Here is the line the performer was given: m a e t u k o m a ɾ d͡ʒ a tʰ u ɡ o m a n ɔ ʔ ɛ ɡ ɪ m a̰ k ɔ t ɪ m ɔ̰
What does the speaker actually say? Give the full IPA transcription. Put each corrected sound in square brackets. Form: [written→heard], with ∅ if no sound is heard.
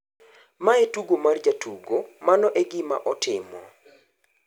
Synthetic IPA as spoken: m a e t u [k→ɡ] o m a [ɾ→r] d͡ʒ a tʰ u ɡ o m a n ɔ ʔ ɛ ɡ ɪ m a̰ [k→ʔ] ɔ t ɪ m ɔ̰